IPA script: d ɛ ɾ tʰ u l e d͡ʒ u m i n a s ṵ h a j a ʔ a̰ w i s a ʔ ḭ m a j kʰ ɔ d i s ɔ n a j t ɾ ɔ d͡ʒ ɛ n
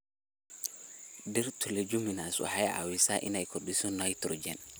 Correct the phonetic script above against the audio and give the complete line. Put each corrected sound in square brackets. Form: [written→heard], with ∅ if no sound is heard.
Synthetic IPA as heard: d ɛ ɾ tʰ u l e d͡ʒ u m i n a s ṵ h a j a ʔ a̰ w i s a ʔ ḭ [m→n] a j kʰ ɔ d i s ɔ n a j t ɾ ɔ d͡ʒ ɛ n